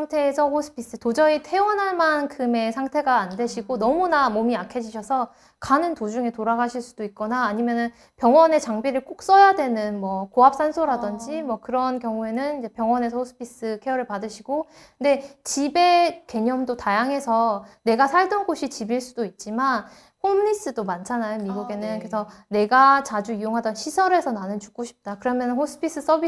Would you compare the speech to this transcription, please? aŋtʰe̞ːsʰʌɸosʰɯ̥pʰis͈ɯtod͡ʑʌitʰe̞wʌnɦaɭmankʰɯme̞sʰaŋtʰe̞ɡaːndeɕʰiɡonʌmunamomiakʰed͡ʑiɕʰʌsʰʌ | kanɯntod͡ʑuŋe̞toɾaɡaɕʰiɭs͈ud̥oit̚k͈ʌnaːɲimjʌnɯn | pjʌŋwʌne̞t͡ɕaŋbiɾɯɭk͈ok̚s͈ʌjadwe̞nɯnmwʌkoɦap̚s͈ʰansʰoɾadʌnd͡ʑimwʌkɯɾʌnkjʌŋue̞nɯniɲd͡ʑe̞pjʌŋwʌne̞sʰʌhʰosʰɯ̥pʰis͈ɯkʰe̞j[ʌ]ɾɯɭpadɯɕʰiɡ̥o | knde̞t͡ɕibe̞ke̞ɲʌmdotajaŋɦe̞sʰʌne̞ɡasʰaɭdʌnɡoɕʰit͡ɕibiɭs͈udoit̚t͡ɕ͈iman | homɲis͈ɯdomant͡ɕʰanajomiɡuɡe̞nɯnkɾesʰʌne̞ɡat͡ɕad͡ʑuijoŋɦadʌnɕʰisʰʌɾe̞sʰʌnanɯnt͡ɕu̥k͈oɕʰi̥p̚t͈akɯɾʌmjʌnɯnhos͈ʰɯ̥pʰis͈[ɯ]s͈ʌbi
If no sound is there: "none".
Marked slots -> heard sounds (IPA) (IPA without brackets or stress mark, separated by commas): ʌ, ɯ